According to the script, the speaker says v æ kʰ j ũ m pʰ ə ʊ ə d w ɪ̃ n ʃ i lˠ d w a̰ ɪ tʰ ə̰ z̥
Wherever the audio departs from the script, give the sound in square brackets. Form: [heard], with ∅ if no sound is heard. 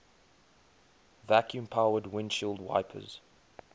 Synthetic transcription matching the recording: v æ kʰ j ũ m pʰ [a] ʊ ə d w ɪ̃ n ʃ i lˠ d w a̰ ɪ [pʰ] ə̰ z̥